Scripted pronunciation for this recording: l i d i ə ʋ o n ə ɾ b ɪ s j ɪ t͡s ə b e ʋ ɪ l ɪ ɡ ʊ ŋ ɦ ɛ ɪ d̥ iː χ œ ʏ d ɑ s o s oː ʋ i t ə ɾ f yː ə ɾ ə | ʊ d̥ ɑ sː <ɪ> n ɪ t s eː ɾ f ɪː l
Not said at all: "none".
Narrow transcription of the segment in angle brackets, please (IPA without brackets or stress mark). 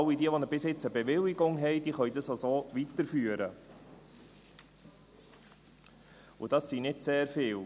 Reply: i